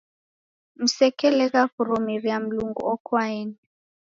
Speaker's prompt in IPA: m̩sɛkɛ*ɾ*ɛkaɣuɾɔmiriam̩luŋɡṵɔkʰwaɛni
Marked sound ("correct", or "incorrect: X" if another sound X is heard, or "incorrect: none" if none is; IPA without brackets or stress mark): incorrect: l